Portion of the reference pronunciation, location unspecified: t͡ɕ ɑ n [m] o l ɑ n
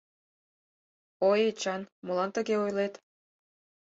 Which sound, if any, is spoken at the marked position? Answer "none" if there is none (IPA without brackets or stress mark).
m